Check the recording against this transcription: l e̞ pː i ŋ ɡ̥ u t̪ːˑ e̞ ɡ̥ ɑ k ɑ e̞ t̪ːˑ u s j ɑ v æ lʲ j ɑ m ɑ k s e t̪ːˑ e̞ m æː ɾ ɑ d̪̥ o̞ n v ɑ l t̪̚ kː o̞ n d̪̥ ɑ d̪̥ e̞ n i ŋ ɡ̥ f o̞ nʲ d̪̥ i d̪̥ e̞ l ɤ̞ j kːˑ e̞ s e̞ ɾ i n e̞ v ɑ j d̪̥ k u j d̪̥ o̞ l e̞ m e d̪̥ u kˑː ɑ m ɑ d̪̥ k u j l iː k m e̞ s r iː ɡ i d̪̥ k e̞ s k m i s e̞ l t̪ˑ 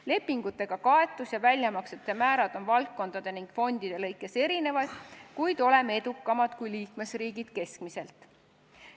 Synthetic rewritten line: l e̞ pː i ŋ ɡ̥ u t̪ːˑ e̞ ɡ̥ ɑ k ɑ e̞ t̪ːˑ u s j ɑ v æ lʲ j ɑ m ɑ k s e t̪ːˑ e̞ m æː ɾ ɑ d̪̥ o̞ n v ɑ l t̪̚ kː o̞ n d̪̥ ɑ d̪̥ e̞ n i ŋ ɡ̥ f o̞ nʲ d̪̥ i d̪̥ e̞ l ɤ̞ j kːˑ e̞ s e̞ ɾ i n e̞ v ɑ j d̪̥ k u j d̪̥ o̞ l e̞ m e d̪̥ u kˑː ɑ m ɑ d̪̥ k u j l iː k m e̞ s r iː ɡ i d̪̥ k e̞ s k m i s e̞ l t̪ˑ